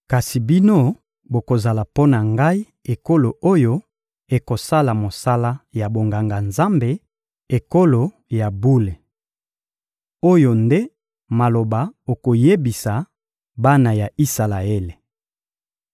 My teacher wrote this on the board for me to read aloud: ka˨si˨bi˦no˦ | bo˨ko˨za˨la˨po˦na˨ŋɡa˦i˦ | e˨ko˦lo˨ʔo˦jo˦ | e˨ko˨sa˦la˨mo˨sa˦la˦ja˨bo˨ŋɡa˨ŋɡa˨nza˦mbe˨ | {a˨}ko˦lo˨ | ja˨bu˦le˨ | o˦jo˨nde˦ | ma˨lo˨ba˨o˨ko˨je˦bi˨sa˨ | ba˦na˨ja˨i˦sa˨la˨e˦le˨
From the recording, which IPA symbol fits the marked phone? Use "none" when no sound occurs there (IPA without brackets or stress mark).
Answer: e˨